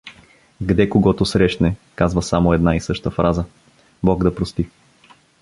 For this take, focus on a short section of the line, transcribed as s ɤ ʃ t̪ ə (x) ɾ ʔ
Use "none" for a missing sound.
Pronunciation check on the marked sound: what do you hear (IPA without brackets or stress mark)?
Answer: f